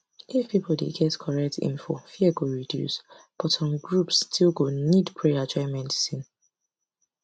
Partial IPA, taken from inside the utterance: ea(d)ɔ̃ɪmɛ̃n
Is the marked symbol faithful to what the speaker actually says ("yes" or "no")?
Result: no